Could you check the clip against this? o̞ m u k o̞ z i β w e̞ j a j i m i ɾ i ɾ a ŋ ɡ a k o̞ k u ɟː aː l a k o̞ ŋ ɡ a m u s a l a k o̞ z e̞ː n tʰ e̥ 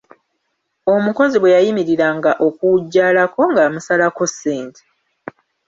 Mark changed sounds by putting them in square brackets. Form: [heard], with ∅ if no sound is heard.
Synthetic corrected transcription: o̞ m u k o̞ z i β w e̞ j a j i m i ɾ i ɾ a ŋ ɡ a [ʔ] o̞ k u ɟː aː l a k o̞ ŋ ɡ a m u s a l a k o̞ [s] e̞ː n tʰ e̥